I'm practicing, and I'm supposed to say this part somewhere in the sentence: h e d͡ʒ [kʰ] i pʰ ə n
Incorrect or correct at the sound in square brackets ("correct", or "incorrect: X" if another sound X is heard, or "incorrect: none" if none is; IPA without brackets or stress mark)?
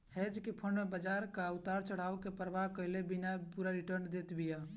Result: incorrect: k